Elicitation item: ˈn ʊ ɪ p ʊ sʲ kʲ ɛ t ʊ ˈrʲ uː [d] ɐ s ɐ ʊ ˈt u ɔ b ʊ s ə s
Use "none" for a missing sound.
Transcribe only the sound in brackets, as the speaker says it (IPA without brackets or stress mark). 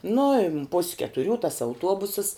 t